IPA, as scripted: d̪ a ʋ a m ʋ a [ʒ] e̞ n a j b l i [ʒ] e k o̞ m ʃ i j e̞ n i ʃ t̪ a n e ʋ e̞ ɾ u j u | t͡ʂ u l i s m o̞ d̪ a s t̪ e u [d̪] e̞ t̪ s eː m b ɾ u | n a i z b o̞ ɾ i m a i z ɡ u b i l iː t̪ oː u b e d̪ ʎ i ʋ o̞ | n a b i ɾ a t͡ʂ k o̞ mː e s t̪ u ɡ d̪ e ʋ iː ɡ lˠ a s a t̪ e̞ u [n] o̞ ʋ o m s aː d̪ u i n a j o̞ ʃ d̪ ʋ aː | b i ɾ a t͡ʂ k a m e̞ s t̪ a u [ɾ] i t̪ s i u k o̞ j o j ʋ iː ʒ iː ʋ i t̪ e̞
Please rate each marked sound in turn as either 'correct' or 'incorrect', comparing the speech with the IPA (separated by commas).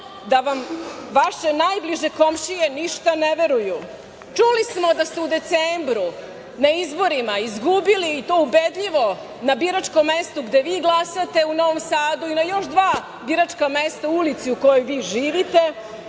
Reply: incorrect, correct, correct, correct, incorrect